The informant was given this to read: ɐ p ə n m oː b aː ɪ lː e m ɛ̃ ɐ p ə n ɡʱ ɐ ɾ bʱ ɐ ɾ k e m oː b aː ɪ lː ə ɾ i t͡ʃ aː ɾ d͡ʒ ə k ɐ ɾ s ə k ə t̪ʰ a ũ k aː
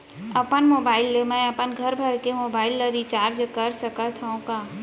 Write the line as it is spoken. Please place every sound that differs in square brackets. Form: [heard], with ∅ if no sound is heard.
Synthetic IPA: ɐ p ə n m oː b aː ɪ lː e m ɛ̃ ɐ p ə n ɡʱ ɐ ɾ bʱ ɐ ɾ k e m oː b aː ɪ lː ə ɾ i t͡ʃ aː ɾ d͡ʒ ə k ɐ ɾ s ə k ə t̪ʰ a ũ k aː